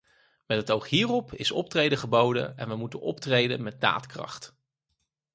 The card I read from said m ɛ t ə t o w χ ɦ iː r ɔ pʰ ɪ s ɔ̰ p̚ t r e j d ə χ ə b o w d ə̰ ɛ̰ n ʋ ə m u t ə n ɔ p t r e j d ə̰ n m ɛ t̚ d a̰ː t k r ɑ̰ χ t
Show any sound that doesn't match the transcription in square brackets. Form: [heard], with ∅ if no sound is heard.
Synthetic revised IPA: m ɛ t ə t o w χ ɦ iː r ɔ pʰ ɪ s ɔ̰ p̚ t r e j d ə χ ə b o w d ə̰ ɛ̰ n ʋ ə m u t ə n ɔ p t r e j d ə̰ n m ɛ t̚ d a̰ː t k r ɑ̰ χ t